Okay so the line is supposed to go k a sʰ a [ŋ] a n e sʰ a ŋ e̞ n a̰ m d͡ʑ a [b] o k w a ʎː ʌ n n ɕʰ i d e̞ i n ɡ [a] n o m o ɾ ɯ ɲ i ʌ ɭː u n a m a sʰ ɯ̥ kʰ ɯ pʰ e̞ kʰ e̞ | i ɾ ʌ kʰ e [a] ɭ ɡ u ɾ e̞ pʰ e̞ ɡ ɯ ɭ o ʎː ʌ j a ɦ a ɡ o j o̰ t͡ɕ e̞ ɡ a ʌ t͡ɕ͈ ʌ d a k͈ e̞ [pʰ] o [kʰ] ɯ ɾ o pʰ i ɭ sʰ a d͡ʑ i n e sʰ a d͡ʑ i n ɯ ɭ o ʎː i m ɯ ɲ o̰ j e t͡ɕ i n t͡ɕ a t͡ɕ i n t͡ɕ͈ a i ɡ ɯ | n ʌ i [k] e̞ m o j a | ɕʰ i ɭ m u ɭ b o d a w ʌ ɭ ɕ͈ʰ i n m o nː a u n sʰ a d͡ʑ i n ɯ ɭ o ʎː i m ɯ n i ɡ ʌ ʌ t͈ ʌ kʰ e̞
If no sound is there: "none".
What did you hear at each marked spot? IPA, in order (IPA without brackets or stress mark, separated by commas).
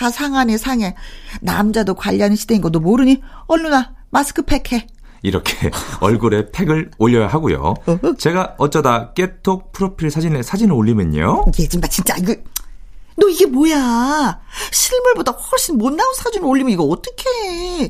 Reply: ŋ, d, ʌ, ʌ, tʰ, pʰ, ɡ